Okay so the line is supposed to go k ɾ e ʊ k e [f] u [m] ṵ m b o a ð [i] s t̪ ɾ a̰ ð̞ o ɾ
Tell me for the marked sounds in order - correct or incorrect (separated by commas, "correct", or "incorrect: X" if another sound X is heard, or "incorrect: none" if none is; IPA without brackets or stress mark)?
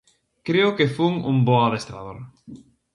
correct, incorrect: ŋ, incorrect: e